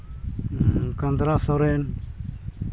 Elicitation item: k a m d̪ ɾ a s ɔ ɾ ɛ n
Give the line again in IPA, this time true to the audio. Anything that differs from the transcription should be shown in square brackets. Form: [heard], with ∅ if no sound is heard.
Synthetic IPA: k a [n] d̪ ɾ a s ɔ ɾ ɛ n